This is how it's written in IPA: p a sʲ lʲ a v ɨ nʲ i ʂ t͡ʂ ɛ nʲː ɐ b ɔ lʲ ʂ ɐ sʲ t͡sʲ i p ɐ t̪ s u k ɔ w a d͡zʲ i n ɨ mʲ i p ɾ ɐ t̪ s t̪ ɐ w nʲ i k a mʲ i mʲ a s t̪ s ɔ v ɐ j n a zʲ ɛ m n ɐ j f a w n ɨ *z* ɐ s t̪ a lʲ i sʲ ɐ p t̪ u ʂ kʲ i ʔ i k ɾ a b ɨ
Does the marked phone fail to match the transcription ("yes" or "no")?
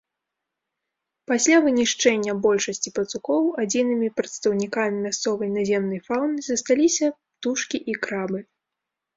no